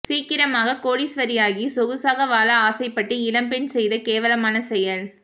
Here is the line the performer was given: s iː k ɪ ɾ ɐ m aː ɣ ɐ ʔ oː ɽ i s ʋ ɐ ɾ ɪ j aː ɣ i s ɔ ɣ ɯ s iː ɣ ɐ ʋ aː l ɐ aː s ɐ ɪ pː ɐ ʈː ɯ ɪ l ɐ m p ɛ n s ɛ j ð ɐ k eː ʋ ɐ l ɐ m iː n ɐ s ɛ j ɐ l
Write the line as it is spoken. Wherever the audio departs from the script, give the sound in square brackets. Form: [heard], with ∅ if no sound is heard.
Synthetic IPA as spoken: s iː k ɪ ɾ ɐ m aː ɣ ɐ [k] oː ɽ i s ʋ ɐ ɾ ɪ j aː ɣ i s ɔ ɣ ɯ s [aː] ɣ ɐ ʋ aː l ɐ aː s ɐ ɪ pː ɐ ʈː ɯ ɪ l ɐ m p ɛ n s ɛ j ð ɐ k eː ʋ ɐ l ɐ m [aː] n ɐ s ɛ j ɐ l